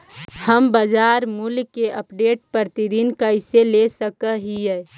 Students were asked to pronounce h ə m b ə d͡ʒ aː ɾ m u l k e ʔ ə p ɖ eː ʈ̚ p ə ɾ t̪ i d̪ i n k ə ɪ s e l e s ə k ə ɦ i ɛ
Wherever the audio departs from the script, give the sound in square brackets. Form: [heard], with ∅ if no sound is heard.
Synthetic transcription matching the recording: h ə m b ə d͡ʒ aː ɾ m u l k e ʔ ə p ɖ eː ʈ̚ p ə ɾ t̪ i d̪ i n k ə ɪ s e l e s ə k ə ɦ i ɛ